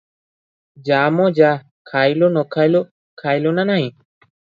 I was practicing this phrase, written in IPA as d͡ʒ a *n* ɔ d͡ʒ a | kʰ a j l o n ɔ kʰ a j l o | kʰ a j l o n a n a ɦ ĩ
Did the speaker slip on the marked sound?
yes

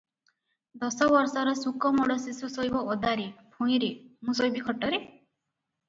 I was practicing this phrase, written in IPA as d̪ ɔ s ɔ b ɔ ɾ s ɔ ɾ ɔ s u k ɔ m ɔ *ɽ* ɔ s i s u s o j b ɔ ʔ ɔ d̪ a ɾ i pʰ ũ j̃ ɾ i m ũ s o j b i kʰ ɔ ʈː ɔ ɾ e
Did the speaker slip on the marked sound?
no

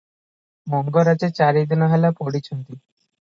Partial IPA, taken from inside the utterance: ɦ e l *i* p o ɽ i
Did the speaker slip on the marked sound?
yes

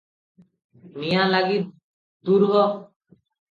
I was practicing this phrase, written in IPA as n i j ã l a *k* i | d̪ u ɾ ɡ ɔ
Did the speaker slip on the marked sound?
yes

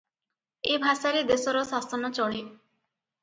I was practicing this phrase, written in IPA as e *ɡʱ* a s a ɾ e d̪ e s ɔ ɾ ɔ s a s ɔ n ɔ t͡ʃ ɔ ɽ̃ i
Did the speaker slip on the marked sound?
yes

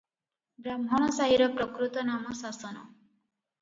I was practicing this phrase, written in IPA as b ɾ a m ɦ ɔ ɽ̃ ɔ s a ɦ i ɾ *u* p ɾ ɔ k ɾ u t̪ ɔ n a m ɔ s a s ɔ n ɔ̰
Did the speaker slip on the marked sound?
yes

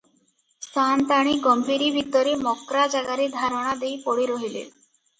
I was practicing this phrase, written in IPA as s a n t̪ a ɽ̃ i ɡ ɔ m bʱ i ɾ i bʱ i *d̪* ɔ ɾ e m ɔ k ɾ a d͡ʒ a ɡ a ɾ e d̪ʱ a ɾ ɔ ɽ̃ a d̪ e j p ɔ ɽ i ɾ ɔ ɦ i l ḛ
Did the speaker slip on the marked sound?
yes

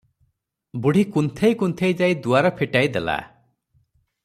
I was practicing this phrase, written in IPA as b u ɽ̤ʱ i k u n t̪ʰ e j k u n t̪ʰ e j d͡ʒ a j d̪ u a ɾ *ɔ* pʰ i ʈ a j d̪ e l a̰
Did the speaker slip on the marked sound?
no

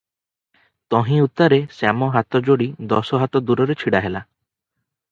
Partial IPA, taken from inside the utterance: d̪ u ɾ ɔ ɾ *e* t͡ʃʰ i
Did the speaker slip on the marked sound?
no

